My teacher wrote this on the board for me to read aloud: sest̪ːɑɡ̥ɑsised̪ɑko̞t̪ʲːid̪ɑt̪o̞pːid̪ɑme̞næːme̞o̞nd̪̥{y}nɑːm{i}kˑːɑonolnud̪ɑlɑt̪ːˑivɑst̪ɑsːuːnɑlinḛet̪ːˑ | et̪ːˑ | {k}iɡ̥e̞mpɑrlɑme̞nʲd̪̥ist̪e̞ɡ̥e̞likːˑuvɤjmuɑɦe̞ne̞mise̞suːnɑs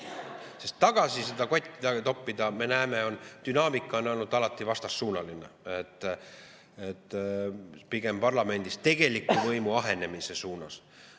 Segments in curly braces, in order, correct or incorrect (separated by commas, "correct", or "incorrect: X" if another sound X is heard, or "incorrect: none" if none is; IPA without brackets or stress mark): correct, correct, incorrect: p